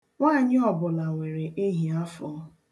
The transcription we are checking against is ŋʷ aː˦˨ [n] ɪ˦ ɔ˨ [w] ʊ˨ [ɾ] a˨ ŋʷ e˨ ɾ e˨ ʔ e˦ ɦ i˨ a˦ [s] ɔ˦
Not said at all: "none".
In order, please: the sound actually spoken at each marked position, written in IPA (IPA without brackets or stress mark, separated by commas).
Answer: ɲ, b, l, f